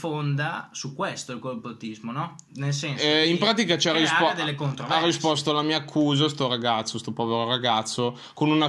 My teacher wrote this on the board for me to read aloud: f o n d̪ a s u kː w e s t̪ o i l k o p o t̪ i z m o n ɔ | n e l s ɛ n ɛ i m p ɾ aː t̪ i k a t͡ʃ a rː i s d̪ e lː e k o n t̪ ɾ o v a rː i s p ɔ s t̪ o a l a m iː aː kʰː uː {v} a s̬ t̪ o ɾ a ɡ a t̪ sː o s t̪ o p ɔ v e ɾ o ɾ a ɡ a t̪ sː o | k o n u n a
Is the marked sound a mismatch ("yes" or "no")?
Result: yes